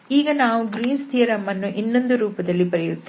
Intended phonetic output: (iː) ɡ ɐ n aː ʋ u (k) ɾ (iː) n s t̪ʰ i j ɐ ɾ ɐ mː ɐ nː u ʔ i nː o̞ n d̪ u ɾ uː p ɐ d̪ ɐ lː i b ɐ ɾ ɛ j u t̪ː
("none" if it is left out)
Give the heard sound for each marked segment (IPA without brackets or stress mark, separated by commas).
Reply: iː, ɡ, iː